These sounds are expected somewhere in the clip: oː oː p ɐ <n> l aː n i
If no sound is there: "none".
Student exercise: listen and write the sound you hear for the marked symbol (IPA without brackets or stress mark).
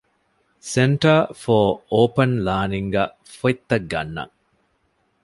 n